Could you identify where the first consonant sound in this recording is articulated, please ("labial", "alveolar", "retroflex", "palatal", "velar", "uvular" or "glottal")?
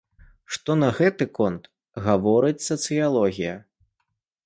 retroflex